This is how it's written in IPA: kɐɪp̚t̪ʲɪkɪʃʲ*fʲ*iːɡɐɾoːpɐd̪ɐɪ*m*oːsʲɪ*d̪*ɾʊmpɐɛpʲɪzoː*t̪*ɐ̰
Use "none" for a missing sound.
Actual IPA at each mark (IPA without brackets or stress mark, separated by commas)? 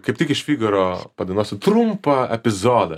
fʲ, n, t̪, d̪